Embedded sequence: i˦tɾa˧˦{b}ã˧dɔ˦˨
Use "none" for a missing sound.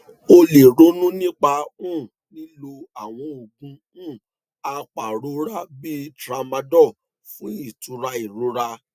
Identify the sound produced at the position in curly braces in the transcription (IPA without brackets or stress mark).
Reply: m